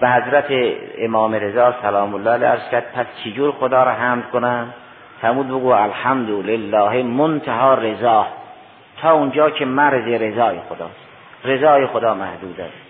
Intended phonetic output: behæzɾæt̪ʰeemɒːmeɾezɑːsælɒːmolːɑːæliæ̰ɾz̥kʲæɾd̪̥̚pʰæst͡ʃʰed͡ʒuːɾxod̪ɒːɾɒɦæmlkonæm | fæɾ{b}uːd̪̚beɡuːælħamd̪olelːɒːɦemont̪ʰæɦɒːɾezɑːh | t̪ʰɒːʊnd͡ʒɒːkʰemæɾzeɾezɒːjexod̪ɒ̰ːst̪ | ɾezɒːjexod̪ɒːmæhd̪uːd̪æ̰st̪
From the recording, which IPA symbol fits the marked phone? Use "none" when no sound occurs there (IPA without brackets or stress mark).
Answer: m